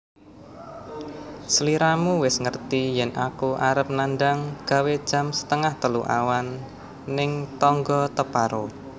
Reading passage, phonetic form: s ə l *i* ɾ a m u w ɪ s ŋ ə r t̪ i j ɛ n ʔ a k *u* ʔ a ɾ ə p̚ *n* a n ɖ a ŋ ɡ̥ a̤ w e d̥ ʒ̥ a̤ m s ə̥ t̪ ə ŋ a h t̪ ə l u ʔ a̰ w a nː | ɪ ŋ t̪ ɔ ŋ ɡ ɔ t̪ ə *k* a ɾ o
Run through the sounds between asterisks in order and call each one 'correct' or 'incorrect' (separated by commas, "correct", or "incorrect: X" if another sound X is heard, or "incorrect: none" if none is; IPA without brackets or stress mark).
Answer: correct, correct, correct, incorrect: p